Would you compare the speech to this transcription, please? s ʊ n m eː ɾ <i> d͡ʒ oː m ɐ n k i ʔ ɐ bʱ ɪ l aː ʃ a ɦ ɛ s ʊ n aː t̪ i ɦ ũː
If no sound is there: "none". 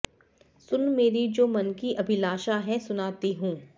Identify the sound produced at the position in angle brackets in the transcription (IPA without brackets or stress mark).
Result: i